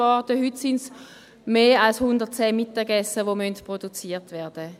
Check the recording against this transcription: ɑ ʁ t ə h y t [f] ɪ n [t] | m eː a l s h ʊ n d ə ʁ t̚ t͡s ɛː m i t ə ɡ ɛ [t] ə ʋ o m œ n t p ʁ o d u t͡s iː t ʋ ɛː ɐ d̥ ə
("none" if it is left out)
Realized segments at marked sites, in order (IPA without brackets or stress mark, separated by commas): s, s, s